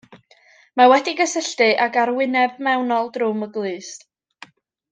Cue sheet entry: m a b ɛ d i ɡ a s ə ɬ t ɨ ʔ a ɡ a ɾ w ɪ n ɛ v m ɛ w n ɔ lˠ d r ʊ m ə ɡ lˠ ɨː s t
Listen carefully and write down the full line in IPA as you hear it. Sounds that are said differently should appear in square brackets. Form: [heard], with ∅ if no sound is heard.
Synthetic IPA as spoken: m a [w] ɛ d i ɡ [ə] s ə ɬ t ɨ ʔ a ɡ a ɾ w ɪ n ɛ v m ɛ w n ɔ lˠ d r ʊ m ə ɡ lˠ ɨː s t